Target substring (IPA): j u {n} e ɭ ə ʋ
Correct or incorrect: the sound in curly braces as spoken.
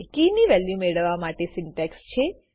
incorrect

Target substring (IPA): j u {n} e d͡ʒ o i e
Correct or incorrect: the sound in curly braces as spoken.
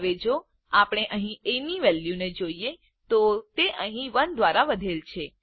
correct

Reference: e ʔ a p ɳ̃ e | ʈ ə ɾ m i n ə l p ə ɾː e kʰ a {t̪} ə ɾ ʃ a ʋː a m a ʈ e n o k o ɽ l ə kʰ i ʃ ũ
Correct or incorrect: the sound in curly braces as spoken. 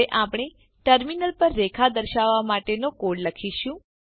incorrect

